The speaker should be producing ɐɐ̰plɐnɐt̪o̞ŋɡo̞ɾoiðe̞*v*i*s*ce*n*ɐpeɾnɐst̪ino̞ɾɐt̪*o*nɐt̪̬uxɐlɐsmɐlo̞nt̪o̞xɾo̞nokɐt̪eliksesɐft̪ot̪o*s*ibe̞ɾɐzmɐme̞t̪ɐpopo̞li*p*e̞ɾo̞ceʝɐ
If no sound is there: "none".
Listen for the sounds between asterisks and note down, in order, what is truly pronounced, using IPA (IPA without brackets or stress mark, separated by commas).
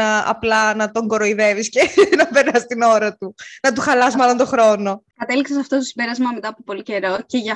v, s, n, u, s, c